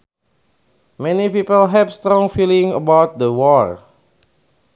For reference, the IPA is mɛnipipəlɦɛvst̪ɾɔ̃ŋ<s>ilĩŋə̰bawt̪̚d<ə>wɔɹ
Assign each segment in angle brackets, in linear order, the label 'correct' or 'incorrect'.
incorrect: f, correct

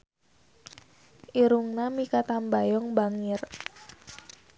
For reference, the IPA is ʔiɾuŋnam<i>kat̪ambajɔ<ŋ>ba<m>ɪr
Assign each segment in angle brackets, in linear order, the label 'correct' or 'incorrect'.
correct, correct, incorrect: ŋ

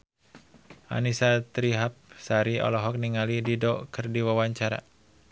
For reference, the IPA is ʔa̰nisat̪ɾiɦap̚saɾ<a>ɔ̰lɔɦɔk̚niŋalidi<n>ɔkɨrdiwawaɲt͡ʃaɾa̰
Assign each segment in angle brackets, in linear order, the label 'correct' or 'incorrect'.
incorrect: i, incorrect: d

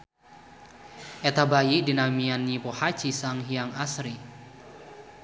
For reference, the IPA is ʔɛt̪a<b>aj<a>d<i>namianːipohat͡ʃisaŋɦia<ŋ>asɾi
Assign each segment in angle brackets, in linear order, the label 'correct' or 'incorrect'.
correct, incorrect: i, correct, correct

